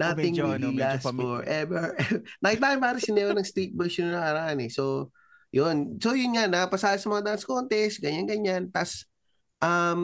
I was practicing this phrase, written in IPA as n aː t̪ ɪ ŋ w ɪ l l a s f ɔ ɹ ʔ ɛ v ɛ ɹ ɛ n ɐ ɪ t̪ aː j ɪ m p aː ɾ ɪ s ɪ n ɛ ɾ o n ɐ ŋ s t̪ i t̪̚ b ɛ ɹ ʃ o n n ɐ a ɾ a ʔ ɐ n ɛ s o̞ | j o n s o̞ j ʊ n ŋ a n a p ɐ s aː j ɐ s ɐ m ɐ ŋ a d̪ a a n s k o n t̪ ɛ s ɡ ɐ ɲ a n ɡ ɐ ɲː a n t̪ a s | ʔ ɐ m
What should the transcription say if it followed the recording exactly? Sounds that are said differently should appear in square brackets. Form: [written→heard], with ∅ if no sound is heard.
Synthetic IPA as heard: n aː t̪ ɪ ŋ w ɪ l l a s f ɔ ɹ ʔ ɛ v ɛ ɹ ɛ n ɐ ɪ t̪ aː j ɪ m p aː ɾ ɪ s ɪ n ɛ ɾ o n ɐ ŋ s t̪ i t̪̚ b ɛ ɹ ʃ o n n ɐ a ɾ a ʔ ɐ n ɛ s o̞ | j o n s o̞ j ʊ n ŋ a n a p ɐ s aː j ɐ s ɐ m ɐ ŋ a d̪ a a n s k o n t̪ ɛ s ɡ ɐ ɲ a n ɡ ɐ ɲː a n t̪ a s | ʔ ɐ m